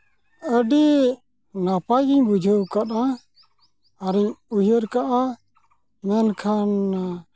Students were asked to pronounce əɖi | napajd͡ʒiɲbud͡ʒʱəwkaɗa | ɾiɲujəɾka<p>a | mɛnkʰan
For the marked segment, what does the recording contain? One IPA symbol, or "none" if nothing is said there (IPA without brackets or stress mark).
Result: ʔ